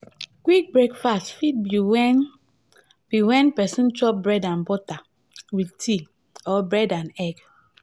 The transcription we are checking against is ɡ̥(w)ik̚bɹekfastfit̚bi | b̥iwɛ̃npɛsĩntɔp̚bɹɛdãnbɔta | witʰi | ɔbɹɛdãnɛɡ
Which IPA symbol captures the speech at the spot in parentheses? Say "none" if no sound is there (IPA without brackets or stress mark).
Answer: w